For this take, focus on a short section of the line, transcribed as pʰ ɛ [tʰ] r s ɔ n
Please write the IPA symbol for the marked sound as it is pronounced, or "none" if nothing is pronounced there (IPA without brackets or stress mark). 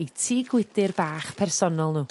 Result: none